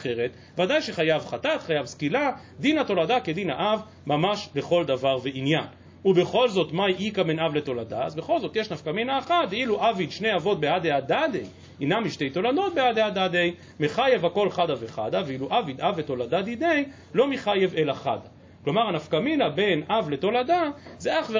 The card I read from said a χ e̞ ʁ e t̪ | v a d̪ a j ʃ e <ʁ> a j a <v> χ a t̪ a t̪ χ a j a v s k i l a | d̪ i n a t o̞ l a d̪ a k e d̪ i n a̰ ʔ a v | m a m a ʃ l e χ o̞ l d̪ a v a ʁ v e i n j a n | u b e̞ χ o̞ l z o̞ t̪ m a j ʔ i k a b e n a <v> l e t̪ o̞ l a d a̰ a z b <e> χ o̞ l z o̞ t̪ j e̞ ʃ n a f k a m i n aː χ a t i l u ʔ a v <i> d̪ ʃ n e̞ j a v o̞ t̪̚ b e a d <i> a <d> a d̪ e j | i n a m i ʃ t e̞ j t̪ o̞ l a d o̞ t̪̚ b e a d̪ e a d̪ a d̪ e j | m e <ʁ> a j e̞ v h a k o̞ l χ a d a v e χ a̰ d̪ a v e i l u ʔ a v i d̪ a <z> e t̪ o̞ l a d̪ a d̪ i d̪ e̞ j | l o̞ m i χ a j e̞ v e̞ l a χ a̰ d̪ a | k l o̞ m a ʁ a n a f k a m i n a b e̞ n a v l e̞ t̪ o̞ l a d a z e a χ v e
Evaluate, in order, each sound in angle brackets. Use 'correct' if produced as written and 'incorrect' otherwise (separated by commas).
incorrect, correct, correct, correct, correct, incorrect, correct, incorrect, incorrect